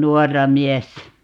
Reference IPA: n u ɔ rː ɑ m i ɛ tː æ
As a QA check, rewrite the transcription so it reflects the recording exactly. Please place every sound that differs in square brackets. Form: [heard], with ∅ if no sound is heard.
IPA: n u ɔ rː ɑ m i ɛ [sː] æ